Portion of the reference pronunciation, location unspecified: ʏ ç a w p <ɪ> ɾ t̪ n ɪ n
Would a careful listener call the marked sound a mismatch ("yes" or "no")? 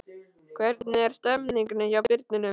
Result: no